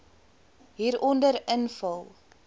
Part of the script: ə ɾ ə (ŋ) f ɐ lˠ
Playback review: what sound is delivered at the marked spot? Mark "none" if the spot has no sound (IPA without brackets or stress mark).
n